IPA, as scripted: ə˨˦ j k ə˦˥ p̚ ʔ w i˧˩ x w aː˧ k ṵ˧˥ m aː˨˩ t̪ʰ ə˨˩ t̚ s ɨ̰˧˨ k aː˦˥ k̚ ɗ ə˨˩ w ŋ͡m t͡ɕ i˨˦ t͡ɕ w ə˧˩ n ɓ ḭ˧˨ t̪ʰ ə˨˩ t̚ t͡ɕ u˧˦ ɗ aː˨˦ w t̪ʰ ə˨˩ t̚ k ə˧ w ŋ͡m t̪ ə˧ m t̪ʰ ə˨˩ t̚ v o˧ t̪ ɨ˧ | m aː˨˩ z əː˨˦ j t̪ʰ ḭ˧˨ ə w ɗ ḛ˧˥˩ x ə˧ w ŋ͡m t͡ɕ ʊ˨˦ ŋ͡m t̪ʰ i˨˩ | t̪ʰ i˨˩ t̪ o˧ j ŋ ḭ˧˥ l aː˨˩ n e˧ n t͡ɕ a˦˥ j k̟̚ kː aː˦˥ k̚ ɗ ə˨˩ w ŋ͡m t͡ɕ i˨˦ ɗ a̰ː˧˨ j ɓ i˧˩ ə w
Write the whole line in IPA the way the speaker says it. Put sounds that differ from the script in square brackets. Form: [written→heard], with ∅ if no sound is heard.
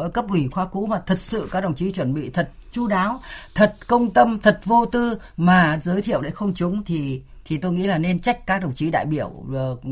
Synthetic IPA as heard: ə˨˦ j k ə˦˥ p̚ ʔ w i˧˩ x w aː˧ k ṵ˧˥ m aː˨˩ t̪ʰ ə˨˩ t̚ s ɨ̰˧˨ k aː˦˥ k̚ ɗ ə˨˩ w ŋ͡m t͡ɕ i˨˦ t͡ɕ w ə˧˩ n ɓ ḭ˧˨ t̪ʰ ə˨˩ t̚ t͡ɕ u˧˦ ɗ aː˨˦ w t̪ʰ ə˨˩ t̚ k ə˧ w ŋ͡m t̪ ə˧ m t̪ʰ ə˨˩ t̚ v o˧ t̪ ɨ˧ | m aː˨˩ z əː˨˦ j t̪ʰ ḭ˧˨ ə w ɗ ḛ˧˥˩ x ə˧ w ŋ͡m t͡ɕ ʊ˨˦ ŋ͡m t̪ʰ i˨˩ | t̪ʰ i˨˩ t̪ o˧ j ŋ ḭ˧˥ l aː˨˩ n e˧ n t͡ɕ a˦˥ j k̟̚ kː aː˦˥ k̚ ɗ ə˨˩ w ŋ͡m t͡ɕ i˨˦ ɗ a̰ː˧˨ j ɓ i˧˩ ə w